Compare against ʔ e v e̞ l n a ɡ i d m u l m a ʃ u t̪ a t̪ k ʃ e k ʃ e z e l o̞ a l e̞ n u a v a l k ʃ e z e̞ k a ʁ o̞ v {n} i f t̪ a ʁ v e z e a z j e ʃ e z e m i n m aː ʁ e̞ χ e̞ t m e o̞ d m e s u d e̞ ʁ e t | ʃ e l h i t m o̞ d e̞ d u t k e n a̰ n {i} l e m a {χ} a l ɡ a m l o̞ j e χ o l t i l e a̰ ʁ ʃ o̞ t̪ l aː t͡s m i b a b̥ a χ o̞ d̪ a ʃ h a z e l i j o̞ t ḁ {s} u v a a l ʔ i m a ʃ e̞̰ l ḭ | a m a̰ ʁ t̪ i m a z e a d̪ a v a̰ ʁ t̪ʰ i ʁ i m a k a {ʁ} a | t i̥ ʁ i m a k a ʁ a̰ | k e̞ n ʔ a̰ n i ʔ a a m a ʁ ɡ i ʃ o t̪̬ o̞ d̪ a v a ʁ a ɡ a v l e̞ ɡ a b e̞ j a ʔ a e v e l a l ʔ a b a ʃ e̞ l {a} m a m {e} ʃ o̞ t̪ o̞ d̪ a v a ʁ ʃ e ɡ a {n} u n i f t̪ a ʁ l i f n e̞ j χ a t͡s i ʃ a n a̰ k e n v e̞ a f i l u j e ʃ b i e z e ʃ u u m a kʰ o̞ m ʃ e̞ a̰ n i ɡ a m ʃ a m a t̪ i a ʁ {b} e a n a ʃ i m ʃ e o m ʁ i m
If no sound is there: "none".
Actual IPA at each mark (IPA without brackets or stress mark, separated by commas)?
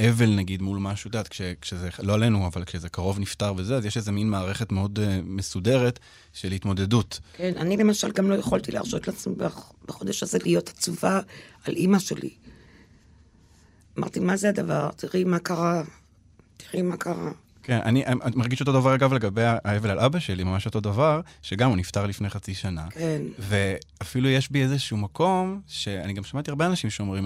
n, i, ʃ, t͡s, ʁ, i, a, m, b